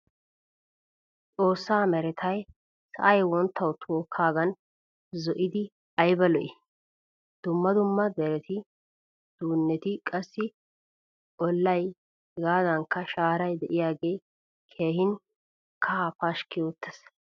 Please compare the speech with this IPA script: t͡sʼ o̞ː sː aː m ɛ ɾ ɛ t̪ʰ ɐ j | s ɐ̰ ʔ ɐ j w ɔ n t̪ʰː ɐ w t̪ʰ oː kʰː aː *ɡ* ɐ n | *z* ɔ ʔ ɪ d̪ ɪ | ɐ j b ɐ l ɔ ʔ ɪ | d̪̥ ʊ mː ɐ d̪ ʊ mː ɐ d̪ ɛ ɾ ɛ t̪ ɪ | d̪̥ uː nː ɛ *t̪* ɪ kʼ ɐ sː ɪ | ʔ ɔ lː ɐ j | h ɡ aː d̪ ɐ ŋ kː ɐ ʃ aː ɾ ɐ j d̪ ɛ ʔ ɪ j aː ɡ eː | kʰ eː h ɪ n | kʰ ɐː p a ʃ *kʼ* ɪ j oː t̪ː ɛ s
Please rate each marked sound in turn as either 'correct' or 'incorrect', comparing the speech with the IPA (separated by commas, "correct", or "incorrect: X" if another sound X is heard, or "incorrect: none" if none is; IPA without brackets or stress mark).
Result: correct, correct, correct, incorrect: k